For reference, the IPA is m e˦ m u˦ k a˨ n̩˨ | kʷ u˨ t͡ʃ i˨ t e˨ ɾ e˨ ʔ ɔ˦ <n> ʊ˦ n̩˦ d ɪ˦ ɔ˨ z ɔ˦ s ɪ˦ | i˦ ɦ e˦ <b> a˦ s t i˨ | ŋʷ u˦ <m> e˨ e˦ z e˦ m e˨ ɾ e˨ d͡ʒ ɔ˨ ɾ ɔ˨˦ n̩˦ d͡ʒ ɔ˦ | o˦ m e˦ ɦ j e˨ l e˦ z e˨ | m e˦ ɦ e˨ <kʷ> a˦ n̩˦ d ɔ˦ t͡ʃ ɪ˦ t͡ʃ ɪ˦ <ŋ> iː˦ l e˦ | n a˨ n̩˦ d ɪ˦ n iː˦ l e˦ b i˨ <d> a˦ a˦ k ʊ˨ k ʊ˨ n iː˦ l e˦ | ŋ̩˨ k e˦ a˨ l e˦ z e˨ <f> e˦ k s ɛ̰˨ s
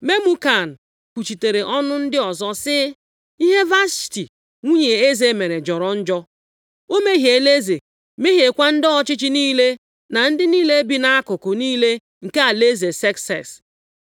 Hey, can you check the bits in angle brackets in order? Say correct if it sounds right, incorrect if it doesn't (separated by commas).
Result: correct, incorrect, incorrect, correct, incorrect, incorrect, incorrect